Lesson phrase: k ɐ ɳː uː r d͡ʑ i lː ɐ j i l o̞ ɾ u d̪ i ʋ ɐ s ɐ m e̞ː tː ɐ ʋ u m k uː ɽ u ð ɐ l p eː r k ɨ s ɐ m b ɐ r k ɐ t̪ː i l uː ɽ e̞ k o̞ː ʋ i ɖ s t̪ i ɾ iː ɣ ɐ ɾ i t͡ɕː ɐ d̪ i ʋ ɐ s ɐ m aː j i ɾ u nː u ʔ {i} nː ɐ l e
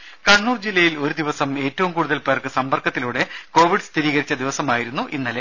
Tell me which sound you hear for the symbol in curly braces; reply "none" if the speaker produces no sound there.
i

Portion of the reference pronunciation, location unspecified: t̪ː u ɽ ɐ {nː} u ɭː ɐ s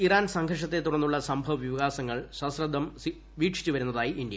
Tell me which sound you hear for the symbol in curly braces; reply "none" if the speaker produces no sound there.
nː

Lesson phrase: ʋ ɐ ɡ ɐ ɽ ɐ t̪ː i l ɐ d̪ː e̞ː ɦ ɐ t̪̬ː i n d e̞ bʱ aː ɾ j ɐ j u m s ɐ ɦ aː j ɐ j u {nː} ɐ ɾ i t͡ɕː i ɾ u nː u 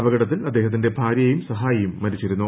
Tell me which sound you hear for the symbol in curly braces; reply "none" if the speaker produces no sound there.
mː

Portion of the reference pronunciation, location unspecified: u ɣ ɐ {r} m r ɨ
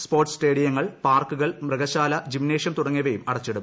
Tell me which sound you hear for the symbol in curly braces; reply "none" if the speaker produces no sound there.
ɭ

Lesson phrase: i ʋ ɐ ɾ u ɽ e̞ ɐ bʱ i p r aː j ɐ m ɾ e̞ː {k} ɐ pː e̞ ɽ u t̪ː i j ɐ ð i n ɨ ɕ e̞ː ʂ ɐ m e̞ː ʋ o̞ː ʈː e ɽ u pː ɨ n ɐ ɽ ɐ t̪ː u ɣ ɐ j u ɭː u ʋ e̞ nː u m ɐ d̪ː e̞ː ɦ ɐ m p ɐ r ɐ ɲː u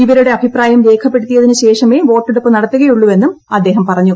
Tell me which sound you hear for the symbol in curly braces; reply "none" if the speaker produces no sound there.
kʰ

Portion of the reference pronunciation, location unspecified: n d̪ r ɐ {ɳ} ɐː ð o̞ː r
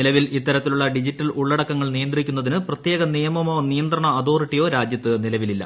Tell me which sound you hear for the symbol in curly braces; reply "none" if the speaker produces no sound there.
ɳ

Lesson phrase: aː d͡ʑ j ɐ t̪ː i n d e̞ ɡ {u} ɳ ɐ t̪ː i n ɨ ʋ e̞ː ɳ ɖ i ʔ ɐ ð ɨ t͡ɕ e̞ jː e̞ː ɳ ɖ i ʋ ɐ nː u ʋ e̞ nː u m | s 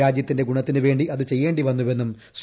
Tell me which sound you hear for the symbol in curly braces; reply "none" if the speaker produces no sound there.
u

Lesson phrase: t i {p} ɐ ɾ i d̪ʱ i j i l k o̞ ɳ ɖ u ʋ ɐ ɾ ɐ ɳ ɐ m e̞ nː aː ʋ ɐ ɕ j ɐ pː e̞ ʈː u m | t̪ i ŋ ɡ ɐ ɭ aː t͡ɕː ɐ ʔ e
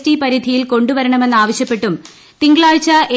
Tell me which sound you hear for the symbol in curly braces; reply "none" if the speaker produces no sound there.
p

